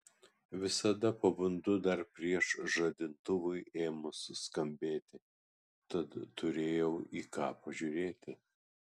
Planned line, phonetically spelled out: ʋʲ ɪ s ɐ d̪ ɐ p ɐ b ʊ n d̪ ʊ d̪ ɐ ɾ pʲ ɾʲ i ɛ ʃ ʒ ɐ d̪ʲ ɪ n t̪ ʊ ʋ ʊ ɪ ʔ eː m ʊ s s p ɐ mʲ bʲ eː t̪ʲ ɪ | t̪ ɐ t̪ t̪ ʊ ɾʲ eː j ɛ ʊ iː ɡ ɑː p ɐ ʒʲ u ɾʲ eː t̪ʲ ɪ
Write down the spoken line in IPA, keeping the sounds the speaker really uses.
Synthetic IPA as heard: ʋʲ ɪ s ɐ d̪ ɐ p ɐ b ʊ n d̪ ʊ d̪ ɐ ɾ pʲ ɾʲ i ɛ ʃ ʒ ɐ d̪ʲ ɪ n t̪ ʊ ʋ ʊ ɪ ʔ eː m ʊ s s k ɐ mʲ bʲ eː t̪ʲ ɪ | t̪ ɐ t̪ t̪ ʊ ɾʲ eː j ɛ ʊ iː k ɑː p ɐ ʒʲ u ɾʲ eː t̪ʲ ɪ